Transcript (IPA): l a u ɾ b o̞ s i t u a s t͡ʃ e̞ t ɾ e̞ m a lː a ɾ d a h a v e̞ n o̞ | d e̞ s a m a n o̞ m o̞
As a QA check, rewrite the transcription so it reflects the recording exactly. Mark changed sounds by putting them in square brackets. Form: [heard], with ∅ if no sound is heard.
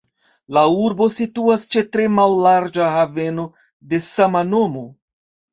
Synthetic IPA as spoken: l a u ɾ b o̞ s i t u a s t͡ʃ e̞ t ɾ e̞ m a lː a ɾ [d͡ʒ] a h a v e̞ n o̞ | d e̞ s a m a n o̞ m o̞